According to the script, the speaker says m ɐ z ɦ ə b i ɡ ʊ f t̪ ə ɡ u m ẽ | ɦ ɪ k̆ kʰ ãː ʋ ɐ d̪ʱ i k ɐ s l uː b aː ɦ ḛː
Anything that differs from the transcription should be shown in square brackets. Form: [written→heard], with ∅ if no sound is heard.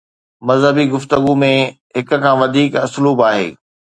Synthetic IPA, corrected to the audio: m ɐ z ɦ ə b i ɡ ʊ f t̪ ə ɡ u m ẽ | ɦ ɪ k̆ kʰ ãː ʋ ɐ d̪ʱ [i→iː] k ɐ s l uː b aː ɦ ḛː